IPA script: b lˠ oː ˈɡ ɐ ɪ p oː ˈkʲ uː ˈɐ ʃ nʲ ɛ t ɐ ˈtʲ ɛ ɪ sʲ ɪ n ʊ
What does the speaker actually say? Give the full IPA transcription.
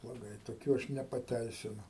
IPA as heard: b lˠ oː ˈɡ ɐ ɪ t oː ˈkʲ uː ˈɐ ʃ nʲ ɛ p ɐ ˈtʲ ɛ ɪ sʲ ɪ n ʊ